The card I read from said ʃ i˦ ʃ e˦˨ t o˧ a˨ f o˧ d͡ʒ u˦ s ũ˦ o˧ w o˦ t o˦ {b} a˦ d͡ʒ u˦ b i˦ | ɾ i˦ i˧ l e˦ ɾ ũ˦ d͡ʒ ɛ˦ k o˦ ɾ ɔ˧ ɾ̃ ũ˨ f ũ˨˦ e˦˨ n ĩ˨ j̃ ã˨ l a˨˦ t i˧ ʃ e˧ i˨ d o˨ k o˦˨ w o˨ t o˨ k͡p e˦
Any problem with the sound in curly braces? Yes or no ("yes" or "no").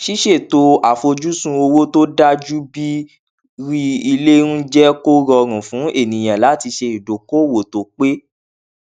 yes